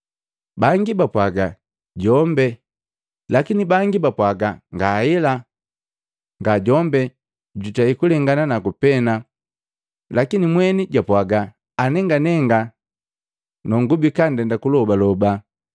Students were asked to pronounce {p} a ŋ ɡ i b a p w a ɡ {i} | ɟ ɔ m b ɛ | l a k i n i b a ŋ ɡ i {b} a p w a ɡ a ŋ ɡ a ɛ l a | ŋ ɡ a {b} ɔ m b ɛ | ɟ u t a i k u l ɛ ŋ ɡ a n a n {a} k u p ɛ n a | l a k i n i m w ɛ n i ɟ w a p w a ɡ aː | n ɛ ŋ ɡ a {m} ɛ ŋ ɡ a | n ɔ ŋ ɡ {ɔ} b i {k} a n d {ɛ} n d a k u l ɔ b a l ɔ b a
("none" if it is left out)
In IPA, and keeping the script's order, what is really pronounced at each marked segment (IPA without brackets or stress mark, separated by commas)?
b, a, b, ɟ, a, n, u, k, ɛ